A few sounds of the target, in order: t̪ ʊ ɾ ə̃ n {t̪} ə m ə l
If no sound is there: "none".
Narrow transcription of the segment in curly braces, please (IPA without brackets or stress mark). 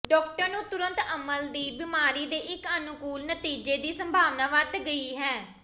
t̪